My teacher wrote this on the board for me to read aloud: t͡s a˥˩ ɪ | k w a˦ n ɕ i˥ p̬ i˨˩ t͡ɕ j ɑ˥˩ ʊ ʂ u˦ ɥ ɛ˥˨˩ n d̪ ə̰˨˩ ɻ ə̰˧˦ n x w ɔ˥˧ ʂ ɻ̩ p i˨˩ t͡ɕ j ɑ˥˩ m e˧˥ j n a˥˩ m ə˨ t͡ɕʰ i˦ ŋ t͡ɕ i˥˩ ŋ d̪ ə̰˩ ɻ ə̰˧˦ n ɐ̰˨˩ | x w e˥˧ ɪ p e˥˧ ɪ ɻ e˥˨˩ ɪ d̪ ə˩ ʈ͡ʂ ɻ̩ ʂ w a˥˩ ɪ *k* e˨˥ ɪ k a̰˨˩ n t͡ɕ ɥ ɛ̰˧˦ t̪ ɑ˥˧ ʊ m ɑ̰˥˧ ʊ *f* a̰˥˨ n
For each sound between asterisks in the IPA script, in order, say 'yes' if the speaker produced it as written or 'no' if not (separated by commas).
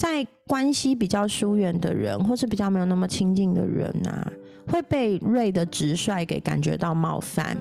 yes, yes